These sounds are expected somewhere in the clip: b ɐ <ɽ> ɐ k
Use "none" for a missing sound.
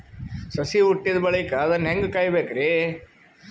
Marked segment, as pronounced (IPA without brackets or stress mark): ɭ